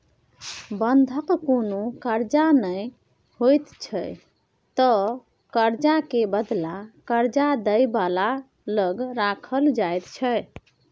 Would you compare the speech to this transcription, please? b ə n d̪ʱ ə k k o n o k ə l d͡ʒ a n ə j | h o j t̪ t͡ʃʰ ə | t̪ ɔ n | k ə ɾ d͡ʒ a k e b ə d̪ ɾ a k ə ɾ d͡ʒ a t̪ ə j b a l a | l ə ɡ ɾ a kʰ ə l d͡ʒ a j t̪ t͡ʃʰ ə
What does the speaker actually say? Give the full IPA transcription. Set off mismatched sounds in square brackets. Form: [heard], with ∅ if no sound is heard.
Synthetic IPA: b ə n d̪ʱ ə k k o n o k ə [ɾ] d͡ʒ a n ə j | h o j t̪ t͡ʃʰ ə | t̪ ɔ [∅] | k ə ɾ d͡ʒ a k e b ə d̪ [l] a k ə ɾ d͡ʒ a [d̪] ə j b a l a | l ə ɡ ɾ a kʰ ə l d͡ʒ a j t̪ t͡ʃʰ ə